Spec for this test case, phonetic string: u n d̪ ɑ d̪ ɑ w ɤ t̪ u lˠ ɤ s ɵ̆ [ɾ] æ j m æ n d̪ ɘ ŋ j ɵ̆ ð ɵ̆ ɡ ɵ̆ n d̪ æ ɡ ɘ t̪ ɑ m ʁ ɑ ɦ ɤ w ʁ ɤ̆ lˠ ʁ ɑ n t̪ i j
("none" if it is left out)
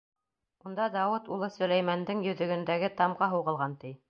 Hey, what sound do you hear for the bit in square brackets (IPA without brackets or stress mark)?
l